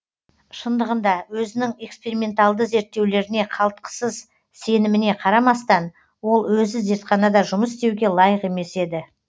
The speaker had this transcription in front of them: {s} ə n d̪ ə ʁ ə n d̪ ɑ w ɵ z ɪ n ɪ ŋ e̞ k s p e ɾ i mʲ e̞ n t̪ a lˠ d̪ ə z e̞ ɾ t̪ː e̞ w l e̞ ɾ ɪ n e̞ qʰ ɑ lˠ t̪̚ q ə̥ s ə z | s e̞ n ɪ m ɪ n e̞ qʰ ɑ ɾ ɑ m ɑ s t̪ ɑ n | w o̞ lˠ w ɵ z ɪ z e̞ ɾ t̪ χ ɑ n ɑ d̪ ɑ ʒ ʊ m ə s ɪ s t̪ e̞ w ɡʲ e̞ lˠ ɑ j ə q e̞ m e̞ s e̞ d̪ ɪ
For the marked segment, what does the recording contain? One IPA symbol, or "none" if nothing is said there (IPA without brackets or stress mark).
ʃ